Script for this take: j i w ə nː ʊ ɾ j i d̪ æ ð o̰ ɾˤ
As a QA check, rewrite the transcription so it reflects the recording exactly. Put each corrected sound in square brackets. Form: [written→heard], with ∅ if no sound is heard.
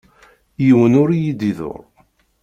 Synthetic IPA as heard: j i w ə [nː→n] ʊ ɾ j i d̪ [æ→i] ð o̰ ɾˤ